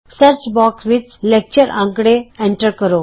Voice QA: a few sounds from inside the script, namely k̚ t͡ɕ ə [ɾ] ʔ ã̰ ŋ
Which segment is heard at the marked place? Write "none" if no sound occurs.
ɾ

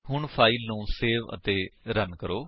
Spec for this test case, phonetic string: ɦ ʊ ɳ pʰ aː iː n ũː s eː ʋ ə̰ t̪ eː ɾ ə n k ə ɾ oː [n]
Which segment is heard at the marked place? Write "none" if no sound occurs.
none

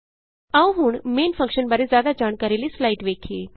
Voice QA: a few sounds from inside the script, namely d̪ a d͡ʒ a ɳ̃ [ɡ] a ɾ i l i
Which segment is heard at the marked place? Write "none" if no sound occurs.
k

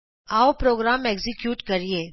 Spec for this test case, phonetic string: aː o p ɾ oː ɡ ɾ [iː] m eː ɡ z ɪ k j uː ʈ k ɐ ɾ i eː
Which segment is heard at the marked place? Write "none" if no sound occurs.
aː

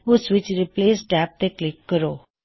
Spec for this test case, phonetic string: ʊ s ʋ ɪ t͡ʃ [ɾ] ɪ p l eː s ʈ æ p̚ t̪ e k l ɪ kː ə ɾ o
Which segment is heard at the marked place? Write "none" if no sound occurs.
ɾ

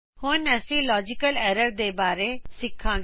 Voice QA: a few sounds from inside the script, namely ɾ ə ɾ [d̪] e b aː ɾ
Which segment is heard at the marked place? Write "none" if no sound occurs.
d̪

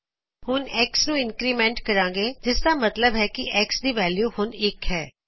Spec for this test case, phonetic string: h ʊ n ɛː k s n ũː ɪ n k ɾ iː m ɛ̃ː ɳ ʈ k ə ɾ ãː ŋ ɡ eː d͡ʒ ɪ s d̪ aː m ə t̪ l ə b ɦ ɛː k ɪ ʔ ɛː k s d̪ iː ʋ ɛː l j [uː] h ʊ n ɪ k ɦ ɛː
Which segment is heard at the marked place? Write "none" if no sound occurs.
uː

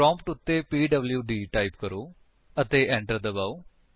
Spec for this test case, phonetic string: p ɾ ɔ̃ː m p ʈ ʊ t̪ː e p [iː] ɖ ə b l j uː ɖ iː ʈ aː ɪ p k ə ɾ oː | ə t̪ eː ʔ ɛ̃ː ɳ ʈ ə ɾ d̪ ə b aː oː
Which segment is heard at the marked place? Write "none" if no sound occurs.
iː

